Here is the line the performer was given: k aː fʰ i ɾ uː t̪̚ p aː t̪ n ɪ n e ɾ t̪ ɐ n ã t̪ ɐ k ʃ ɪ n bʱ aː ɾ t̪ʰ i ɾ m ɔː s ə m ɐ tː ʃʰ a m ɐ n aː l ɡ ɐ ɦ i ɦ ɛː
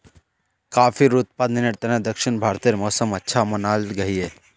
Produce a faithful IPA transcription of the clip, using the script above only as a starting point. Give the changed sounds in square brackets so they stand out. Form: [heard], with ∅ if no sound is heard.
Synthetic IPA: k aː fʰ i ɾ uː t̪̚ p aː [d̪] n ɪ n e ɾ t̪ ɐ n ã [d̪] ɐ k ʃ ɪ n bʱ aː ɾ [t̪] i ɾ m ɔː s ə m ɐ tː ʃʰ a m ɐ n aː l ɡ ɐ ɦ i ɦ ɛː